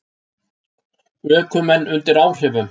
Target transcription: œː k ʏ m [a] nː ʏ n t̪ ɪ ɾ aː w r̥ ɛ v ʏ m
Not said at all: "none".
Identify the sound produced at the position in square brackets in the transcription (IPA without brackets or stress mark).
ɛ